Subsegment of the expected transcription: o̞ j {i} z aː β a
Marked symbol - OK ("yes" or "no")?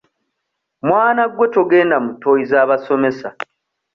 yes